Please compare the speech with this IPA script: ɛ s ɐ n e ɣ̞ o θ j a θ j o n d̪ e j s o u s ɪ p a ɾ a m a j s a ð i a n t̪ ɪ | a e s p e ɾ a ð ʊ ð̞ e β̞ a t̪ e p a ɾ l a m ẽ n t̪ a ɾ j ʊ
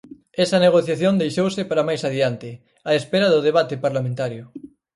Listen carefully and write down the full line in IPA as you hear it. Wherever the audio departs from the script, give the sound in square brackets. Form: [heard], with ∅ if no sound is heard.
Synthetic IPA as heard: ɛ s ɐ n e ɣ̞ o θ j a θ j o n d̪ e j [ʃ] o [w] s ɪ p a ɾ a m a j s a ð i a n t̪ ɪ | a e s p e ɾ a ð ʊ ð̞ e β̞ a t̪ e p a ɾ l a m ẽ n t̪ a ɾ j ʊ